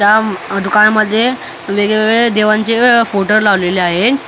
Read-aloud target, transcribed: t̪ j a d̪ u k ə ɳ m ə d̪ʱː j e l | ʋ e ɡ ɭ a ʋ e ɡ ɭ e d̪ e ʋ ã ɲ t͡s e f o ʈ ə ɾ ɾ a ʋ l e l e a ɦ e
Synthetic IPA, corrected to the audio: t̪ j a d̪ u k a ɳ m ə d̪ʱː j e | ʋ e ɡ ɭ e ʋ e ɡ ɭ e d̪ e ʋ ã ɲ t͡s e f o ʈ ə ɾ l a ʋ l e l e a ɦ e